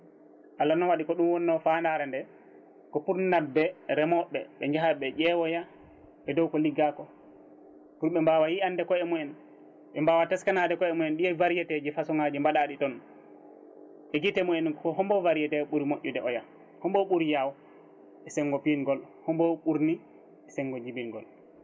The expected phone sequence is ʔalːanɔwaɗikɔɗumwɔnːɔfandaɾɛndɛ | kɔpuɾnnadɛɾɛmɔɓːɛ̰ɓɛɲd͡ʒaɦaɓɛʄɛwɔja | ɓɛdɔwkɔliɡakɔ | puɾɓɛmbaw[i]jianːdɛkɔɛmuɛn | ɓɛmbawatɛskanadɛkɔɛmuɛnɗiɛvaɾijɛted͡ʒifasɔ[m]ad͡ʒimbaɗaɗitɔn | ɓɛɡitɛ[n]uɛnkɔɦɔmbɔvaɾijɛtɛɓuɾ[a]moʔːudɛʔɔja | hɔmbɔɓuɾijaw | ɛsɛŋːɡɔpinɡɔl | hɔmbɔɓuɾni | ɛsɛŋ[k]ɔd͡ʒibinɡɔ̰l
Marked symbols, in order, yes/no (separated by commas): no, no, no, no, no